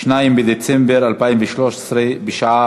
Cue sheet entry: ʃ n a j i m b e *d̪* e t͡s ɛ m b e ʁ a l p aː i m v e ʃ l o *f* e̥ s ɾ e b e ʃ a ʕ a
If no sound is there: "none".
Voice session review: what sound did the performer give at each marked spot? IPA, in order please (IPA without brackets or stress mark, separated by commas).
d̪, ʃ